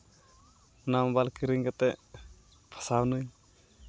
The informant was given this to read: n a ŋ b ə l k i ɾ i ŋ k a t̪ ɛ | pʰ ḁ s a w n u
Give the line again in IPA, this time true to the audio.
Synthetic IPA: n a m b a l k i ɾ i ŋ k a t̪ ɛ | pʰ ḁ s a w n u